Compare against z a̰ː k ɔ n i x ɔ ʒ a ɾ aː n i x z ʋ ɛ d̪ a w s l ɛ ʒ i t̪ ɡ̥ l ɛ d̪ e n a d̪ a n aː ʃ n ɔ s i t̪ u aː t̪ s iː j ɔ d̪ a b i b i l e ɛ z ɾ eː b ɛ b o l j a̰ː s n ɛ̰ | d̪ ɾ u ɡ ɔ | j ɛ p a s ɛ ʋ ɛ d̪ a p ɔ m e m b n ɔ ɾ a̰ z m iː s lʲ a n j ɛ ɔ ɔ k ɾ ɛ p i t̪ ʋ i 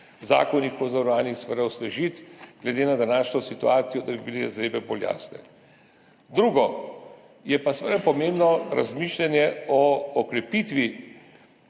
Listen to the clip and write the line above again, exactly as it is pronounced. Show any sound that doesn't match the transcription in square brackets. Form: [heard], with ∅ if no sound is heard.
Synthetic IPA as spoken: z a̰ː k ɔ n i x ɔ [z] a ɾ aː n i x [s] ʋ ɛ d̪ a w s l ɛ ʒ i t̪ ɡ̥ l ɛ d̪ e n a d̪ a n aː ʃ n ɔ s i t̪ u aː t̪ s [i] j ɔ d̪ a b i b i l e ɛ z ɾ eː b ɛ b o l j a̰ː s n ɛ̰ | d̪ ɾ u ɡ ɔ | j ɛ p a s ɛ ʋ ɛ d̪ a p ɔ m e m b n ɔ ɾ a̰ z m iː [ʃ] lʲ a n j ɛ ɔ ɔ k ɾ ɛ p i t̪ ʋ i